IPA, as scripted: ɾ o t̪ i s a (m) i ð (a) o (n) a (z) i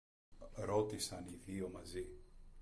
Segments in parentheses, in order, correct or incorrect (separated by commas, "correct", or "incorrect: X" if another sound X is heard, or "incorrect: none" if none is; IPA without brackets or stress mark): incorrect: n, incorrect: i, incorrect: m, correct